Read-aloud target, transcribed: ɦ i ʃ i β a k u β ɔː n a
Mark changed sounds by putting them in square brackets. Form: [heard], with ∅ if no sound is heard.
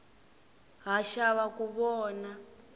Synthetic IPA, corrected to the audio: ɦ [a] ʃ [a] β a k u β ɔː n a